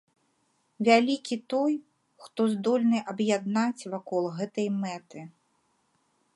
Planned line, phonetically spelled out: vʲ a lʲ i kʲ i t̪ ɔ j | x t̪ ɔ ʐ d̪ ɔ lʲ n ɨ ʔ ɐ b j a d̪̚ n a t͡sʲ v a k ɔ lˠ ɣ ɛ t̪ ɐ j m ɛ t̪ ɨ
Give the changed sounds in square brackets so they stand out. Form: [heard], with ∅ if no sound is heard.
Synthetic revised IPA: vʲ a lʲ i kʲ i t̪ ɔ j | x t̪ ɔ [z] d̪ ɔ lʲ n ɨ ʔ ɐ b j a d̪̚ n a t͡sʲ v a k ɔ lˠ ɣ ɛ t̪ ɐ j m ɛ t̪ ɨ